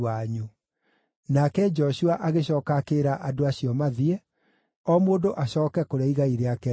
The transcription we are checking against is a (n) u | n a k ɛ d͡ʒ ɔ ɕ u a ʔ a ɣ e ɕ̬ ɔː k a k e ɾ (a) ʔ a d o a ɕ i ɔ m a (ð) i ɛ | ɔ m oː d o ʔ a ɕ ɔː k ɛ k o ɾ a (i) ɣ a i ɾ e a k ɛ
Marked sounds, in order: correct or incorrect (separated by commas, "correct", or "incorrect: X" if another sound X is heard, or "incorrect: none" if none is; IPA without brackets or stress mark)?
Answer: incorrect: ɲ, correct, correct, correct